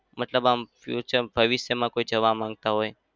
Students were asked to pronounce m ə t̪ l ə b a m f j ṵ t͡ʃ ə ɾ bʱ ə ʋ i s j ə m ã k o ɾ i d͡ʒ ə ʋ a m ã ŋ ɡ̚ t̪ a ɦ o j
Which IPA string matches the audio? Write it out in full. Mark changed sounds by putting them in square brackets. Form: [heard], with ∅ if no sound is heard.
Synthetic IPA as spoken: m ə t̪ l ə b a m f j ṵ t͡ʃ ə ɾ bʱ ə ʋ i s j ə m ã k o [∅] i d͡ʒ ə ʋ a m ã ŋ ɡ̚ t̪ a ɦ o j